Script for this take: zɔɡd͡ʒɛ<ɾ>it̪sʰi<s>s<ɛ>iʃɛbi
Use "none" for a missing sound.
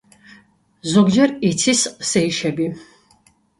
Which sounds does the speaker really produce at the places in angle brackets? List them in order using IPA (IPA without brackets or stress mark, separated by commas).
ɾ, s, ɛ